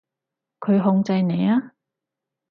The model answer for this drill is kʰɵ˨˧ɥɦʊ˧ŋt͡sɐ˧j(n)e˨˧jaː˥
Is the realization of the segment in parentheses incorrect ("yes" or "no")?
no